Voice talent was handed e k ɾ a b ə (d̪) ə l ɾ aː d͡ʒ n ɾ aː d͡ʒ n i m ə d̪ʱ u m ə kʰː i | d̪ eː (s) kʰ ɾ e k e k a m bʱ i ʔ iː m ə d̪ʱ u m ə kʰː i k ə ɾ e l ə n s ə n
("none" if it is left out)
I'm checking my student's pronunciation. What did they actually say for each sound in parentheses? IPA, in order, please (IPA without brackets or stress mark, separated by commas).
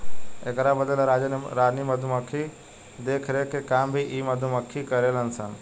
d̪, none